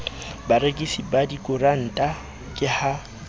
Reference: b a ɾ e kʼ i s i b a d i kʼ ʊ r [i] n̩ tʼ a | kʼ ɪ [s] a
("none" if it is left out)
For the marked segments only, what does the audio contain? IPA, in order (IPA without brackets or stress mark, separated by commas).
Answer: a, h